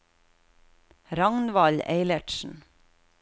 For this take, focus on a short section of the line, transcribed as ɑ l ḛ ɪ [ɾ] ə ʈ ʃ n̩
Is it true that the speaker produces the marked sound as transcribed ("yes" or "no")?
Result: no